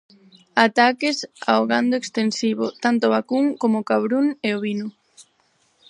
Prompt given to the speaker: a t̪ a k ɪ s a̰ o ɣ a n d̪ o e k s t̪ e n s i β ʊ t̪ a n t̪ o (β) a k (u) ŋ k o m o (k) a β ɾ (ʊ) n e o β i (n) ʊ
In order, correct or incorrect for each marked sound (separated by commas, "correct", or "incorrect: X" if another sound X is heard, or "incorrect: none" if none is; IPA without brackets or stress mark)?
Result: correct, correct, correct, incorrect: u, correct